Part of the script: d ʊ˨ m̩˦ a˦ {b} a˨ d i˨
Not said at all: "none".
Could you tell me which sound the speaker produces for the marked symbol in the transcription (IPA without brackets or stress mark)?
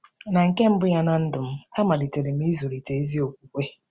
m